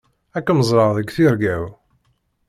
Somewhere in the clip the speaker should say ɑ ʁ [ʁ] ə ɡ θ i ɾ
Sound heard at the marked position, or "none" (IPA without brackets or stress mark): ð